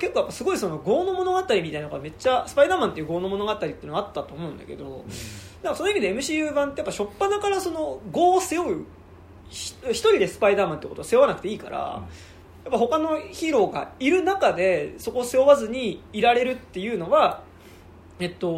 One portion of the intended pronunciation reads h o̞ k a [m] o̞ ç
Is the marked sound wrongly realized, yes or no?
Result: yes